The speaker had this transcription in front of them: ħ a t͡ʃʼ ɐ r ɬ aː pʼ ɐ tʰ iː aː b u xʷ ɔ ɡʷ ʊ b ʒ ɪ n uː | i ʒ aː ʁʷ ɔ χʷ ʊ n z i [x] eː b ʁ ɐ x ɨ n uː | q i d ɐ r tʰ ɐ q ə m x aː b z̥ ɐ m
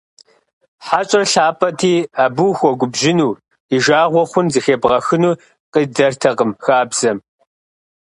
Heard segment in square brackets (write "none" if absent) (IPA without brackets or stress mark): x